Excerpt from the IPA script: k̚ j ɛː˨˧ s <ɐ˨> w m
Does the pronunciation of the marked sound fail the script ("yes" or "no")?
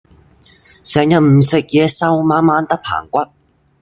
yes